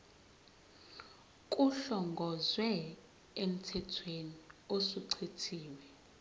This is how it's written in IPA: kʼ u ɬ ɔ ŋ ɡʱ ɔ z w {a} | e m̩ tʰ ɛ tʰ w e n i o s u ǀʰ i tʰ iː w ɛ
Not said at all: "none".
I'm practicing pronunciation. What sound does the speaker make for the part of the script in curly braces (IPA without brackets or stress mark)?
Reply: ɛ